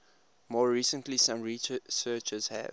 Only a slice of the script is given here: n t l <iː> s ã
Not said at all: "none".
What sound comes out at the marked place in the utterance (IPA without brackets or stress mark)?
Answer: i